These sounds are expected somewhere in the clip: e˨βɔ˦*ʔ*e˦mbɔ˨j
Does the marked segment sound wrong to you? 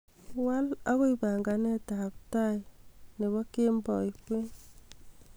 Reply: yes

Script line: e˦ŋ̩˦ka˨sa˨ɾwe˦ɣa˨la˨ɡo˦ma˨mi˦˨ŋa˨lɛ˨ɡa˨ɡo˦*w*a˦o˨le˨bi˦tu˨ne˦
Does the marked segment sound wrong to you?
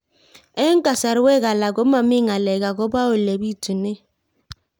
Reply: yes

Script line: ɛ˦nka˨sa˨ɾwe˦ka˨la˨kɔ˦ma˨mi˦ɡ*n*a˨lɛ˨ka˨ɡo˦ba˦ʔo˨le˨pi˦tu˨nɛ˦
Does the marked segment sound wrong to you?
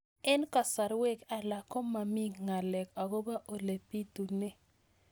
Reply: yes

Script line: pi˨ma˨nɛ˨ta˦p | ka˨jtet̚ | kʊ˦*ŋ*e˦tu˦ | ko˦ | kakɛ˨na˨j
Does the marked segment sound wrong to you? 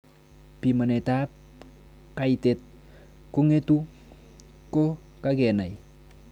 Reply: no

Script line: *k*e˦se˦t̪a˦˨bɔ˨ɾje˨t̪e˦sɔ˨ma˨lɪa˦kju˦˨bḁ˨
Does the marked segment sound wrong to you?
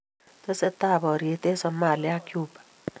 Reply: yes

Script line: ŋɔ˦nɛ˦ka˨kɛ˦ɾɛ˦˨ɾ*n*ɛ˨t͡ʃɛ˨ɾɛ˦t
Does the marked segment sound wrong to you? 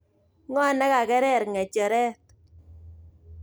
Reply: yes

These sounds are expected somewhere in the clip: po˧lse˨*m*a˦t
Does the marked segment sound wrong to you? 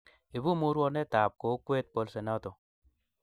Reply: yes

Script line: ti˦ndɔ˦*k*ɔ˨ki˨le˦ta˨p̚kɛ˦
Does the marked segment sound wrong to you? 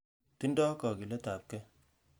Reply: no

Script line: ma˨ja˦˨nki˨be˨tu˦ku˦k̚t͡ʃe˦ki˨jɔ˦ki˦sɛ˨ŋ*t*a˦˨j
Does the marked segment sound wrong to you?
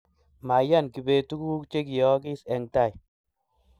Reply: no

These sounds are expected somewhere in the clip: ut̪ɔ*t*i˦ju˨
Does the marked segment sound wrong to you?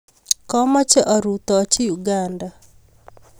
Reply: yes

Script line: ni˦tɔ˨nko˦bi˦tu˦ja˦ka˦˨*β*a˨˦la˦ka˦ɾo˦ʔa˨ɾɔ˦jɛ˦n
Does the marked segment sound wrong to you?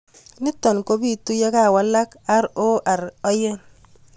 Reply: yes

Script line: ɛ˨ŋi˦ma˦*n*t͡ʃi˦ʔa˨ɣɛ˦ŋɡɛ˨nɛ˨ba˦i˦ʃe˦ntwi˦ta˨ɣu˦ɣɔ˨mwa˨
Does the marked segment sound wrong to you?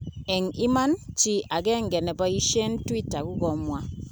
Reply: no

